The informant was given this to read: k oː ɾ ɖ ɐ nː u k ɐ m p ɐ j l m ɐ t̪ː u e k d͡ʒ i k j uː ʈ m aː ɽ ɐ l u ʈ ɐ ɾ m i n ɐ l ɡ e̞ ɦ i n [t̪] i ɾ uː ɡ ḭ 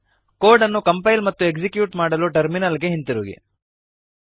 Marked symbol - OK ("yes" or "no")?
yes